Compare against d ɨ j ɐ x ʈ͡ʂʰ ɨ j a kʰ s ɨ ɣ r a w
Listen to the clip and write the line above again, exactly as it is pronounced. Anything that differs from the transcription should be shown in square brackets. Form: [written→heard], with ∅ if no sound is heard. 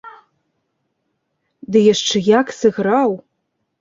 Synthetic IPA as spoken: d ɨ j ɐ [x→ʂ] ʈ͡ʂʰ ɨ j a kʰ s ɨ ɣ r a w